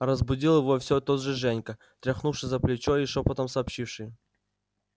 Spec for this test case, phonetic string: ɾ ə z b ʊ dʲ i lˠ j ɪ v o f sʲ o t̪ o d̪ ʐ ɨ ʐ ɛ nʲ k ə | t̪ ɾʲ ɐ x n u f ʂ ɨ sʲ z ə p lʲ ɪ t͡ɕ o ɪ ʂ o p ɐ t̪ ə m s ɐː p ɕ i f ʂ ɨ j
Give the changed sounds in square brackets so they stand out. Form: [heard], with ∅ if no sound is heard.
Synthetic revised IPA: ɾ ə z b ʊ dʲ i lˠ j ɪ v o f sʲ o t̪ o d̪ ʐ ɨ ʐ ɛ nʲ k ə | t̪ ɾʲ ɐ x n u f ʂ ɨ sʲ z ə p lʲ ɪ t͡ɕ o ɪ ʂ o p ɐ t̪ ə m s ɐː p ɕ i f ʂ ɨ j